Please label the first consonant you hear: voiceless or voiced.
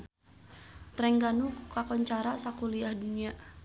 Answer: voiceless